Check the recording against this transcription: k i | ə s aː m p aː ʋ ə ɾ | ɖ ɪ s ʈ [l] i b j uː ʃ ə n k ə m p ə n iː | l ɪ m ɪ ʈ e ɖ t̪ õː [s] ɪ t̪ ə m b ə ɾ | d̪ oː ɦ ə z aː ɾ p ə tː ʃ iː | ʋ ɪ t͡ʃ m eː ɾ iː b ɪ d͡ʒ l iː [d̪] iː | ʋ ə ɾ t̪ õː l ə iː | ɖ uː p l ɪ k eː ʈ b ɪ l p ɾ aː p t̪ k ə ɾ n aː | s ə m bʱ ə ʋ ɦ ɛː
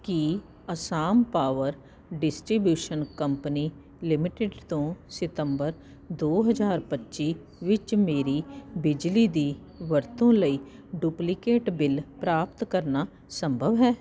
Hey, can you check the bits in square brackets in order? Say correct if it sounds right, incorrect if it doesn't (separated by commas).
incorrect, correct, correct